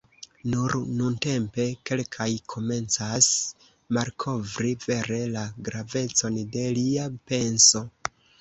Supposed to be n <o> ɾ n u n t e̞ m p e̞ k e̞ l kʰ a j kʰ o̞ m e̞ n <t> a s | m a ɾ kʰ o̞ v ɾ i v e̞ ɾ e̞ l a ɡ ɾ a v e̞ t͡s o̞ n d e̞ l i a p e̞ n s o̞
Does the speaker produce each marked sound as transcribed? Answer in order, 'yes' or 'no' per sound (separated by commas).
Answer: no, no